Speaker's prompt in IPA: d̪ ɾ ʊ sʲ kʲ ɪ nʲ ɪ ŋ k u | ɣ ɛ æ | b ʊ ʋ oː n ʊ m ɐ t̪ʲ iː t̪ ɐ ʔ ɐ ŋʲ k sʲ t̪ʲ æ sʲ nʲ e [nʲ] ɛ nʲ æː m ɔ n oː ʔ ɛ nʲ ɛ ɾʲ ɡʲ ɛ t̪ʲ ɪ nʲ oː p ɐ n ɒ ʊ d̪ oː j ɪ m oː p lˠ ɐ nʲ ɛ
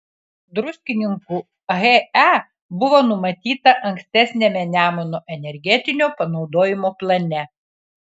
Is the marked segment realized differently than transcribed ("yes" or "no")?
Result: yes